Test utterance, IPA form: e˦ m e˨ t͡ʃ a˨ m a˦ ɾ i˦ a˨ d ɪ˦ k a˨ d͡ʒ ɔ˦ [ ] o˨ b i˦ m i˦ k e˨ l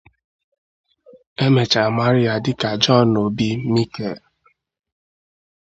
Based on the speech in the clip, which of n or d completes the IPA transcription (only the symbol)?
n